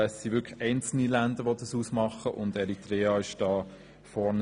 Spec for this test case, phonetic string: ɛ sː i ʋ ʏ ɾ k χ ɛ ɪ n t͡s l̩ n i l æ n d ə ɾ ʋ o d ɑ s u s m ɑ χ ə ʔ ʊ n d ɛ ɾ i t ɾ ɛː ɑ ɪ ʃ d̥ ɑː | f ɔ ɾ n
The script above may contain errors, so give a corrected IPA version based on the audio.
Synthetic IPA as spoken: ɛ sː i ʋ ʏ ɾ k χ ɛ ɪ n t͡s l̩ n i l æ n d ə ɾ ʋ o d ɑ s u s m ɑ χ ə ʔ ʊ n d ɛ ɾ i t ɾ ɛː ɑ ɪ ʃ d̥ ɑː | f ɔ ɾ n